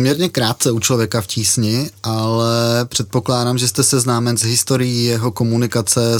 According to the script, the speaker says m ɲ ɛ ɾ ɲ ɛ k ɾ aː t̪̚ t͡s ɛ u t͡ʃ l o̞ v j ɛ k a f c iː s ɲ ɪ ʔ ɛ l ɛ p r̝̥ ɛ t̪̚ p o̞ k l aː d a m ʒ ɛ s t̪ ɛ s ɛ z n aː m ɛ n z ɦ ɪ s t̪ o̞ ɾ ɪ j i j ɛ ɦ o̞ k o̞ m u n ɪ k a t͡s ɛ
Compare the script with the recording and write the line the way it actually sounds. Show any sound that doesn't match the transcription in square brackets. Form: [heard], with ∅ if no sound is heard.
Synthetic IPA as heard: m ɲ ɛ ɾ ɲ ɛ k ɾ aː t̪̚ t͡s ɛ u t͡ʃ l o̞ v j ɛ k a f c iː s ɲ ɪ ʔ [a] l ɛ p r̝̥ ɛ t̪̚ p o̞ k l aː d a m ʒ ɛ s t̪ ɛ s ɛ z n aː m ɛ n z ɦ ɪ s t̪ o̞ ɾ ɪ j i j ɛ ɦ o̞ k o̞ m u n ɪ k a t͡s ɛ